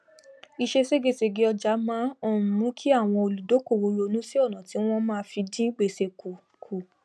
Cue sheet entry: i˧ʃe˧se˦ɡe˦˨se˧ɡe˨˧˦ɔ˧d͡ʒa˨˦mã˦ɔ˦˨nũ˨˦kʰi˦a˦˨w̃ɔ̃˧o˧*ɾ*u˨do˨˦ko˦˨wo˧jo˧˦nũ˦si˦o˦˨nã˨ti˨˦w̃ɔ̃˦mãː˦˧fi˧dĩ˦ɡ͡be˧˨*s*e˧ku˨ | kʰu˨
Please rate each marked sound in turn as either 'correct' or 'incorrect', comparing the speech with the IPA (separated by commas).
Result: incorrect, correct